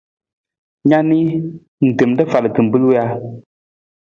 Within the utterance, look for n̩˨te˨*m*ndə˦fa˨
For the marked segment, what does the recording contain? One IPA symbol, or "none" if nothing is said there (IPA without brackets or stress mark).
m